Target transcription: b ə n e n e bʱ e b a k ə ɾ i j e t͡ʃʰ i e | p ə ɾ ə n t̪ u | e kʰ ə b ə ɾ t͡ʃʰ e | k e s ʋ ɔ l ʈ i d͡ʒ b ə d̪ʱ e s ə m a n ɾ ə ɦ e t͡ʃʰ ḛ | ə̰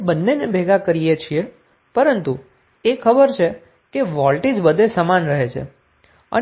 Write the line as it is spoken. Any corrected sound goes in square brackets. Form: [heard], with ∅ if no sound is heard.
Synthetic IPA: b ə [nː] e n e bʱ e [ɡ] a k ə ɾ i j e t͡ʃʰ i e | p ə ɾ ə n t̪ u | e kʰ ə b ə ɾ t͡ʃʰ e | k e [∅] ʋ ɔ l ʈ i d͡ʒ b ə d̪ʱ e s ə m a n ɾ ə ɦ e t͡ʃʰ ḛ | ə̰